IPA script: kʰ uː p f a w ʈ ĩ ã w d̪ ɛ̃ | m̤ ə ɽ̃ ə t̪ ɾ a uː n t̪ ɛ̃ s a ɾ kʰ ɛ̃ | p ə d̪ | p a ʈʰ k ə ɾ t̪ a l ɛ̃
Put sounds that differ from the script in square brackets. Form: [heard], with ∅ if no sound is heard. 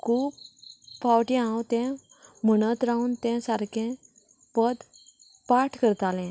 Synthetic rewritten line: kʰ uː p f a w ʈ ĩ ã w [t̪] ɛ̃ | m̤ ə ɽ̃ ə t̪ ɾ a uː n t̪ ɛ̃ s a ɾ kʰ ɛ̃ | p ə d̪ | p a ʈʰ k ə ɾ t̪ a l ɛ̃